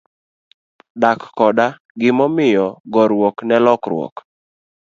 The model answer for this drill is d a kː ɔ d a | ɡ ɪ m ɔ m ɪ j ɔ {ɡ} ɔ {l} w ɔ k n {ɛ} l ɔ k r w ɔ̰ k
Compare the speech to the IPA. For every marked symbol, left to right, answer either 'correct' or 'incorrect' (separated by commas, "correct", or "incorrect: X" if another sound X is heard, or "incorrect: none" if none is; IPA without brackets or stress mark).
correct, incorrect: ɾ, correct